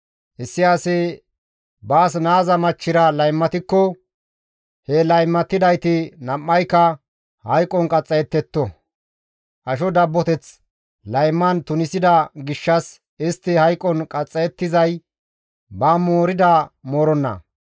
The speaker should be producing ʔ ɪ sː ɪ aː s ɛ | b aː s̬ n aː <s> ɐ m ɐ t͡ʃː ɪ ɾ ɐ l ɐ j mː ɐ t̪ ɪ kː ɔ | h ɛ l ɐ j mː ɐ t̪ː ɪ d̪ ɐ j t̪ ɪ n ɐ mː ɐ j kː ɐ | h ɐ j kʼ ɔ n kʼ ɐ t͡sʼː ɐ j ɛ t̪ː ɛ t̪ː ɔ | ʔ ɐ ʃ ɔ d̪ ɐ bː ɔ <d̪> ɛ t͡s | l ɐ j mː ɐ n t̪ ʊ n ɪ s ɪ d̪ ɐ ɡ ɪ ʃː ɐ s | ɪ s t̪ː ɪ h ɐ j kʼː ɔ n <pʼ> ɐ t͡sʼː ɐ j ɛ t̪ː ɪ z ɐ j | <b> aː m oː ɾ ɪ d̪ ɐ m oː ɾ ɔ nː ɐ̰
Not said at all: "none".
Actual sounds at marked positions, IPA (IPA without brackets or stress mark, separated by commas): z, t̪, kʼ, b